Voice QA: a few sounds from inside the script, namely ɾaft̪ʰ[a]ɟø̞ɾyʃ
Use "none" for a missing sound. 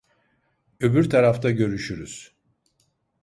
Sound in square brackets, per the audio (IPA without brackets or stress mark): a